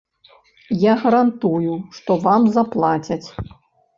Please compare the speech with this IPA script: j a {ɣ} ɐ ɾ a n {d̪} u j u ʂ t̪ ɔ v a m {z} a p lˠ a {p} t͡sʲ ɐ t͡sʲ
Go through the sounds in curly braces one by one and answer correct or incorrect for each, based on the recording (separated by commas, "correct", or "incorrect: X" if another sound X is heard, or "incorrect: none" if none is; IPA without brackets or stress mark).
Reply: correct, incorrect: t̪, correct, incorrect: none